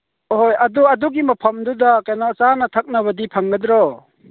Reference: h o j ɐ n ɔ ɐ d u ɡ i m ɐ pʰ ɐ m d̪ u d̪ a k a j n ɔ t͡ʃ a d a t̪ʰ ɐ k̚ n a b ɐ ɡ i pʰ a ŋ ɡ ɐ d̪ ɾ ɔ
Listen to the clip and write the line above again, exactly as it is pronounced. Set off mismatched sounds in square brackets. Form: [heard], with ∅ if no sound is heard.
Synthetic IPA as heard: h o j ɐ [d] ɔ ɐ d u ɡ i m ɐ pʰ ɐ m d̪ u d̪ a k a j n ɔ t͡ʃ a [n] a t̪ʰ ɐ k̚ n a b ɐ [d] i pʰ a ŋ ɡ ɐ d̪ ɾ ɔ